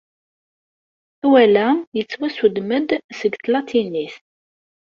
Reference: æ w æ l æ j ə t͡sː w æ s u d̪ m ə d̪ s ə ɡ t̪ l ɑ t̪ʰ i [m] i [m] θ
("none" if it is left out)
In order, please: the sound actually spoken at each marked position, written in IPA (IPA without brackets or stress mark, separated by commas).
n, none